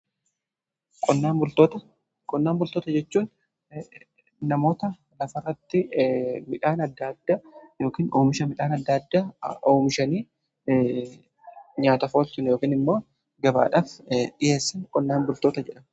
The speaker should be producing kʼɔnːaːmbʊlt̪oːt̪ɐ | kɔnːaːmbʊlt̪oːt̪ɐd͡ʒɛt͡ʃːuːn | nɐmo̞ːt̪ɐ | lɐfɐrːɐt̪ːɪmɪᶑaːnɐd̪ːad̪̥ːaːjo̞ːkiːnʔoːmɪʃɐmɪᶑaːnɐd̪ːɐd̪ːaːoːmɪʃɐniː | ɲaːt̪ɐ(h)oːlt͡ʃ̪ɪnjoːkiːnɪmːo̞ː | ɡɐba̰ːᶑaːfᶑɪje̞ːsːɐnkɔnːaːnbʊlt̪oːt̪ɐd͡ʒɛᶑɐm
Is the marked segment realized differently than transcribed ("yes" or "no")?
yes